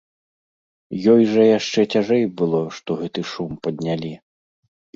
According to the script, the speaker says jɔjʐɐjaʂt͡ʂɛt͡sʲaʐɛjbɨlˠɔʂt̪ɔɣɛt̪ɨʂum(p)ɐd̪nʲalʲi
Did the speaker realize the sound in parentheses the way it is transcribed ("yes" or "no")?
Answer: yes